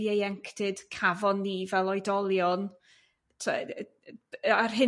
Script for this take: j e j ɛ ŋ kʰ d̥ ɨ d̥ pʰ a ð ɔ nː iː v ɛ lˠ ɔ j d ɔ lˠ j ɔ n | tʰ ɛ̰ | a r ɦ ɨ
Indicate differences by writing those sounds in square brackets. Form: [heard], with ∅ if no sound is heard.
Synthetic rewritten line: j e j ɛ ŋ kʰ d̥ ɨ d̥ [kʰ] a [v] ɔ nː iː v ɛ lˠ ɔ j d ɔ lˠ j ɔ n | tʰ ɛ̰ | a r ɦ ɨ